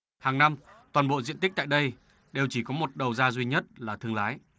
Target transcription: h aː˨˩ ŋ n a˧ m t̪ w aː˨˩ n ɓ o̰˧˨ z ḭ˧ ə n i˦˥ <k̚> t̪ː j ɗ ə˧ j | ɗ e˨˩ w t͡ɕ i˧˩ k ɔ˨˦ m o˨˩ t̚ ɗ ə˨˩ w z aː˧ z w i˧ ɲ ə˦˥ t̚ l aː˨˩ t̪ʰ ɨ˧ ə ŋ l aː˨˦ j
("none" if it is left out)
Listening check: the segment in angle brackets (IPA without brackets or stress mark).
k̚